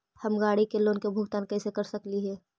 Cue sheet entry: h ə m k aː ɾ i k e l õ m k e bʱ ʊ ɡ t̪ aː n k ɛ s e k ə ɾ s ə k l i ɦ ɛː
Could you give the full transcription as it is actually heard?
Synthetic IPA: h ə m ɡ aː ɽ i k e l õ n k e bʱ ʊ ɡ t̪ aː n k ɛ s e k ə ɾ s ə k l i ɦ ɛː